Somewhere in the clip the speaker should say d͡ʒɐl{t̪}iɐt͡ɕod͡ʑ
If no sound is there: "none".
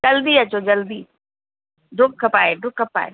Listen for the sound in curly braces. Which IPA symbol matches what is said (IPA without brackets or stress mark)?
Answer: d̪